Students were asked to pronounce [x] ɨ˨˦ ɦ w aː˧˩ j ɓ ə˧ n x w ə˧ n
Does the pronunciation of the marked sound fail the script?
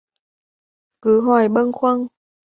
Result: yes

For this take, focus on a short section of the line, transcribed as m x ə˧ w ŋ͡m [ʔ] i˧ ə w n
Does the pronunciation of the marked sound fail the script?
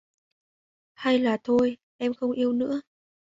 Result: no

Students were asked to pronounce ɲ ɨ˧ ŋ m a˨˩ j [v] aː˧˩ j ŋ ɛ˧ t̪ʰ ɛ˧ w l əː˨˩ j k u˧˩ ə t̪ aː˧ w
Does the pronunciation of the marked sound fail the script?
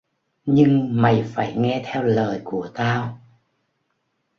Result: yes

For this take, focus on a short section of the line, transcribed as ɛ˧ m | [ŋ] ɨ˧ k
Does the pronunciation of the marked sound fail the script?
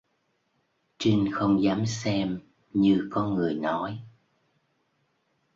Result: yes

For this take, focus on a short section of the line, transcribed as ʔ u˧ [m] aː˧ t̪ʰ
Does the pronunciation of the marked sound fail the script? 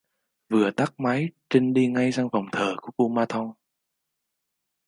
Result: no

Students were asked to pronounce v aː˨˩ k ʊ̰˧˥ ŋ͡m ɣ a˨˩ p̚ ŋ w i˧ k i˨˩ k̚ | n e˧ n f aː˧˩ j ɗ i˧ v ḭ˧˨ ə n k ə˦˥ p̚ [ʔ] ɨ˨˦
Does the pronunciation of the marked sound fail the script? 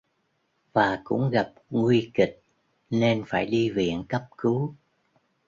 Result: yes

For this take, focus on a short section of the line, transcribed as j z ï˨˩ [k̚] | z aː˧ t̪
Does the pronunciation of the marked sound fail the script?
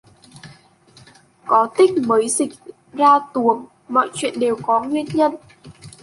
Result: no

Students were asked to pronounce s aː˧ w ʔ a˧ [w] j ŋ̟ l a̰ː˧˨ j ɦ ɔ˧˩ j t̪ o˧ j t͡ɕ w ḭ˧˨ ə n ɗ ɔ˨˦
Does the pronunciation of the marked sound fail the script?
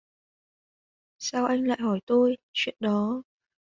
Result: yes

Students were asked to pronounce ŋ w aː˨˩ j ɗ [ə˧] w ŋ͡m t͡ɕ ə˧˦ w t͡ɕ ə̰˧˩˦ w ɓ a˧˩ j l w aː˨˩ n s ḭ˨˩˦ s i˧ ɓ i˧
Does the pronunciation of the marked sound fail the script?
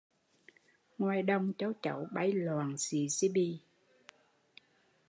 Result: no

